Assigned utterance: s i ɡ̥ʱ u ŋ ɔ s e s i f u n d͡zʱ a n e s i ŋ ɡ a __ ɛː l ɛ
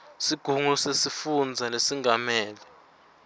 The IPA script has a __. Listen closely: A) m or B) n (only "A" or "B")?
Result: A